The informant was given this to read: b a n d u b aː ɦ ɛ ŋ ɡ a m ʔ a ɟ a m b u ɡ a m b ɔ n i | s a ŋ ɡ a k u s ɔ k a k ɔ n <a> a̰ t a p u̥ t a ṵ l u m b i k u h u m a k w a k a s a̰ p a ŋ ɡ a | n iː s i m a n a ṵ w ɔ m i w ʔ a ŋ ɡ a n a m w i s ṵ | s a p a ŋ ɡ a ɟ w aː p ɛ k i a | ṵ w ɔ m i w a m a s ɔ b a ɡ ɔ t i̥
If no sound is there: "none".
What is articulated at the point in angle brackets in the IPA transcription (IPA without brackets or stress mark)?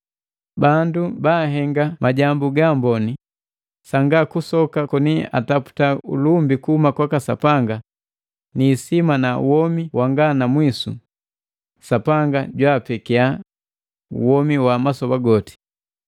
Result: i